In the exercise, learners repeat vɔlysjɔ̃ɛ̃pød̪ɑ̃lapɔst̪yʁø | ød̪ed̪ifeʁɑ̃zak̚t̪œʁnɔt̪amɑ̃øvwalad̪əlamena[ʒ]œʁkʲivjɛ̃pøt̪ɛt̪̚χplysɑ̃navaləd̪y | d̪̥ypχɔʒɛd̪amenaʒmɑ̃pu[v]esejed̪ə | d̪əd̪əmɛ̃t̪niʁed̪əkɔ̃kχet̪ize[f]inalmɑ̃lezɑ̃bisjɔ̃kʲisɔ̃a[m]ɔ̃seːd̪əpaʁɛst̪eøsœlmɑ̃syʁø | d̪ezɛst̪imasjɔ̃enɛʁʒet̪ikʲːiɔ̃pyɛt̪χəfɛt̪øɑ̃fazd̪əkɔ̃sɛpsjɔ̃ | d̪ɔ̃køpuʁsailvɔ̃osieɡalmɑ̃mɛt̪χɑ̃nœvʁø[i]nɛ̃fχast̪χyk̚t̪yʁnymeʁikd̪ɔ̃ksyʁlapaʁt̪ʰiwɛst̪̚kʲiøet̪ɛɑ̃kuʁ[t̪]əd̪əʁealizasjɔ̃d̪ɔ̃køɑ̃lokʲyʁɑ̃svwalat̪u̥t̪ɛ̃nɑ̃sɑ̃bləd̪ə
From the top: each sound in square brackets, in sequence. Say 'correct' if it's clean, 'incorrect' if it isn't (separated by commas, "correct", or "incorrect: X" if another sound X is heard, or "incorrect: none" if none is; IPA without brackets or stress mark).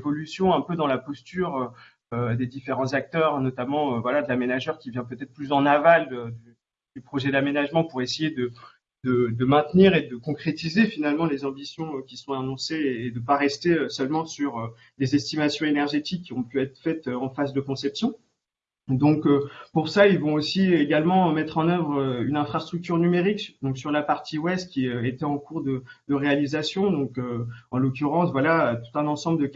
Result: correct, incorrect: ʁ, correct, incorrect: n, incorrect: y, incorrect: d̪